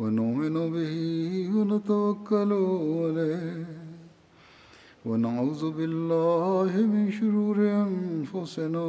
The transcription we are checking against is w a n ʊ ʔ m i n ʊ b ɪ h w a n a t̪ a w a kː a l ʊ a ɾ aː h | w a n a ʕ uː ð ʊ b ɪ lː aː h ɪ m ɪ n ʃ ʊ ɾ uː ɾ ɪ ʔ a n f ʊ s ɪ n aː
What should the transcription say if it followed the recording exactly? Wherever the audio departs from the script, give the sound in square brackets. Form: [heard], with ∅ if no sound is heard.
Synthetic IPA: w a n ʊ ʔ m [ɪ] n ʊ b ɪ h w a n a t̪ a w a kː a l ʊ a [l] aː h | w a n a ʕ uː ð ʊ b ɪ lː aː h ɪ m ɪ n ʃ ʊ ɾ uː ɾ ɪ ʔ a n f ʊ s ɪ n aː